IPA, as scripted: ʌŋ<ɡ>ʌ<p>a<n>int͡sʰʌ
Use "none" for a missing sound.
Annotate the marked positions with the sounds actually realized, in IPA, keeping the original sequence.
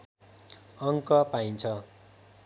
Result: k, p, none

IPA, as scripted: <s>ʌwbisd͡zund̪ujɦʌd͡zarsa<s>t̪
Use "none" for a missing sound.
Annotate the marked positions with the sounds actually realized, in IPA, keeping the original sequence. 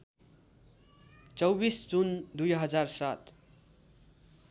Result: t͡s, none

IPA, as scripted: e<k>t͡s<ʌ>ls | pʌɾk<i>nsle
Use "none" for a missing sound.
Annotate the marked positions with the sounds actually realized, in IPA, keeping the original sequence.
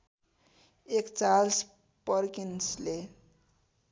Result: k, a, i

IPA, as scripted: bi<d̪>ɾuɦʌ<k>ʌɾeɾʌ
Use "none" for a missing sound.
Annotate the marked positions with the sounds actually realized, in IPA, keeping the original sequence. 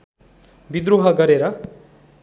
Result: d̪, ɡ

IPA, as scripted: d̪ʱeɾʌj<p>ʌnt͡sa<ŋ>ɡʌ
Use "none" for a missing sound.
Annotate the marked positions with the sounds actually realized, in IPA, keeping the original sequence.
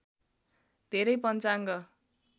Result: p, ŋ

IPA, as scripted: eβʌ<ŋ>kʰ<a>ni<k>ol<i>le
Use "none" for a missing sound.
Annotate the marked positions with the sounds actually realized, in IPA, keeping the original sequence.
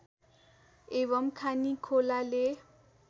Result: m, a, kʰ, a

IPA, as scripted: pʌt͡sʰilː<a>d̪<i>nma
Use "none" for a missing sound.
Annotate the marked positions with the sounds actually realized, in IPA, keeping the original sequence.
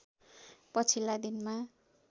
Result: a, i

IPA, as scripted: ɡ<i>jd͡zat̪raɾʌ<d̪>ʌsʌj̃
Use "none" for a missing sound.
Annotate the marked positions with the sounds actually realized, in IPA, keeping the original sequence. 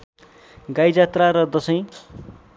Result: a, d̪

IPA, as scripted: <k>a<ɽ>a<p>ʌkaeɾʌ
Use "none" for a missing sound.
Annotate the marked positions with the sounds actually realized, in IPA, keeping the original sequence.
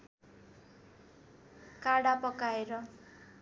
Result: k, ɽ, p

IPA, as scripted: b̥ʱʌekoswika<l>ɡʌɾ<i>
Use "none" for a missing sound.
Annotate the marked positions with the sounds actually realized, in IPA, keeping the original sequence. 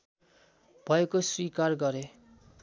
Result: r, e

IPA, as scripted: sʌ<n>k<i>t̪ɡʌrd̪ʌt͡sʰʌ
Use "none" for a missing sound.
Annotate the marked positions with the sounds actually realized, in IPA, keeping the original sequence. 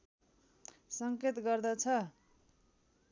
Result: ŋ, e

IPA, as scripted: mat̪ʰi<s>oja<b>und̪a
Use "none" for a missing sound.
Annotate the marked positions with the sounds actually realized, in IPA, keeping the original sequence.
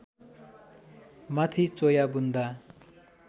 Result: t͡s, b

